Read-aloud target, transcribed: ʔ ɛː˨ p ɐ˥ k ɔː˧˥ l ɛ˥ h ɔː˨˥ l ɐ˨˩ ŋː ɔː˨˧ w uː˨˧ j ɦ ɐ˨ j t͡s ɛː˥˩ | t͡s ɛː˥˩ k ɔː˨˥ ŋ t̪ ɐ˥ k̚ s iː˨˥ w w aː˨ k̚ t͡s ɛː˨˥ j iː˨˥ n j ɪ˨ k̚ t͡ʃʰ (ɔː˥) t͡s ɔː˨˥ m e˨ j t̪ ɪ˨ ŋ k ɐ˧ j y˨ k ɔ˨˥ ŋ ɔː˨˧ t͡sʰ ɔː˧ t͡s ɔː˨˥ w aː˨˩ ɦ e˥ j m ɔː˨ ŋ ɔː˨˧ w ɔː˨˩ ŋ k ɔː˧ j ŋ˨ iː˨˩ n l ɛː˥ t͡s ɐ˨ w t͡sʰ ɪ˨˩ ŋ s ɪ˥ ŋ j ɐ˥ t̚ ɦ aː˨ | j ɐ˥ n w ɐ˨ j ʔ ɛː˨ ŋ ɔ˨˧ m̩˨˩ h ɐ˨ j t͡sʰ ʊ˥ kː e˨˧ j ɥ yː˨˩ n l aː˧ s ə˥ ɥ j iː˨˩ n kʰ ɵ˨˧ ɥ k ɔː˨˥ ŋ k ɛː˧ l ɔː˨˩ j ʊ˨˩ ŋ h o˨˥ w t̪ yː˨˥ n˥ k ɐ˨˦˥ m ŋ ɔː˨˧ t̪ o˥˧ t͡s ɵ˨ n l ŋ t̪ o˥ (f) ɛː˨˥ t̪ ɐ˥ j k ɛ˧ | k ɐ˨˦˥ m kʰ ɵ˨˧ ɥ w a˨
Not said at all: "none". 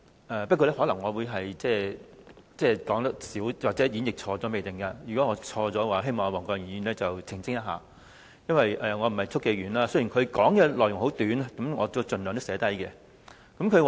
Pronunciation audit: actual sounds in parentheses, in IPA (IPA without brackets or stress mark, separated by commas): ɔː˧, s